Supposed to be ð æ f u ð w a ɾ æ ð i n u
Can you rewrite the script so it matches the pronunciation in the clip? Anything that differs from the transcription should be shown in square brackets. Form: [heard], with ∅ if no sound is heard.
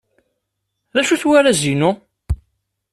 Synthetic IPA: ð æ [ʃ] u [θ] w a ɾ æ [z] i n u